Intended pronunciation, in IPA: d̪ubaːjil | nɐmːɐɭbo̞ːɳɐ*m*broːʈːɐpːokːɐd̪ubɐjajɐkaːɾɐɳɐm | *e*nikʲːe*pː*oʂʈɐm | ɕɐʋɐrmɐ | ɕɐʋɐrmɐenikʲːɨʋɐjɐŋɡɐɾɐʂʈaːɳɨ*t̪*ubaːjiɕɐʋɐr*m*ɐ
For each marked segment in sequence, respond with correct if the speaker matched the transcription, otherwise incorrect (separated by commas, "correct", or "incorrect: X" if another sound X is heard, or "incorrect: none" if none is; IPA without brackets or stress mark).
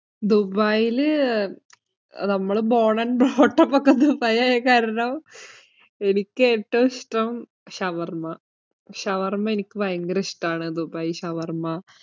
incorrect: n, correct, incorrect: ʈː, incorrect: d̪, correct